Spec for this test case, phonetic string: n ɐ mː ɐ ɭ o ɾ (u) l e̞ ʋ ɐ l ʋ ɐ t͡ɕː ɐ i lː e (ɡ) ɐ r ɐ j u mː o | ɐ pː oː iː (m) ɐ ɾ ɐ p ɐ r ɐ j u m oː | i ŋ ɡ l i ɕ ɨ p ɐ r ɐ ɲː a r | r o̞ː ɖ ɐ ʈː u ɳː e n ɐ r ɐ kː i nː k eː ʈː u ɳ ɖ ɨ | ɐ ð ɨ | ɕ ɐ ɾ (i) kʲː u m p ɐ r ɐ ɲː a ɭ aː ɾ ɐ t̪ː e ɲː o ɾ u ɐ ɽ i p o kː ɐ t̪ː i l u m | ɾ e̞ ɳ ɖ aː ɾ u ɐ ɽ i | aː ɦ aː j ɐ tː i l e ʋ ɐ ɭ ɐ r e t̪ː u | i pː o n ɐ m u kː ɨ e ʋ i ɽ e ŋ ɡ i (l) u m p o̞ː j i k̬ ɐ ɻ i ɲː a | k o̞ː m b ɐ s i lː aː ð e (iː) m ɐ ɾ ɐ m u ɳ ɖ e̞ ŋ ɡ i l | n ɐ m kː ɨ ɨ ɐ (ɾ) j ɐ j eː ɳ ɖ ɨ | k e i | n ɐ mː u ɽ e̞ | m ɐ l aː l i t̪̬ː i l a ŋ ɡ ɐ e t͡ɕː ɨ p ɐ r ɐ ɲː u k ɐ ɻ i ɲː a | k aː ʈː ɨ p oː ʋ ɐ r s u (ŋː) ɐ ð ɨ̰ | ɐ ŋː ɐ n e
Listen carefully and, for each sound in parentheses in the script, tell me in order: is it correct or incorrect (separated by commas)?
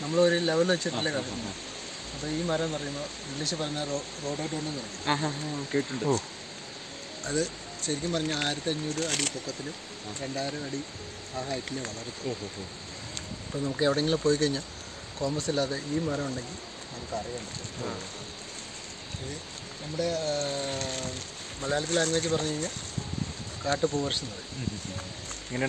correct, incorrect, correct, correct, correct, correct, incorrect, incorrect